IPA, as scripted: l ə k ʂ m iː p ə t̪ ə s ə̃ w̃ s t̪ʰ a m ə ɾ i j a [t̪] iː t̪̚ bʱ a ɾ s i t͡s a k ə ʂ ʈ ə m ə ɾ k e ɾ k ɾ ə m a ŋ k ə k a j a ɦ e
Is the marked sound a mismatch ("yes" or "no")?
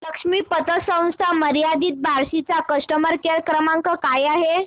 yes